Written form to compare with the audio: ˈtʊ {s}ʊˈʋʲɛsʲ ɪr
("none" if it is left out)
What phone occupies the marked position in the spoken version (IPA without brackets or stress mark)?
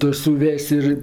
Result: s